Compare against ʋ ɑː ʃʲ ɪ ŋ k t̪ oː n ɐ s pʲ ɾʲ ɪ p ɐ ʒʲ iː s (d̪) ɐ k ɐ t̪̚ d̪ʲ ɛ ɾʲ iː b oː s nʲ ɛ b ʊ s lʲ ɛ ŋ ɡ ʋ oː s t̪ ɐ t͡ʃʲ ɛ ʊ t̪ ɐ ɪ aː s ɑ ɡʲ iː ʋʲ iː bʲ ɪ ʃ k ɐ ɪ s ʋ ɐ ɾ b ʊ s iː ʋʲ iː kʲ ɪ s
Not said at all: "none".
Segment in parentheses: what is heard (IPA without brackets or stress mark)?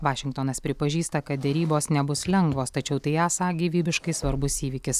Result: t̪